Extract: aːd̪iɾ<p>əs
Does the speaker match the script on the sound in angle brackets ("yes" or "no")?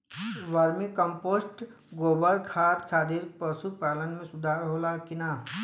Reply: yes